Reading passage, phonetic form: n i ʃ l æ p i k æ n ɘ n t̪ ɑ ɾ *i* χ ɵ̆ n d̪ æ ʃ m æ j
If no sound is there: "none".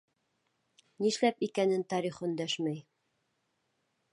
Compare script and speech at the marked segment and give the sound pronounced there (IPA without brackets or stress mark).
i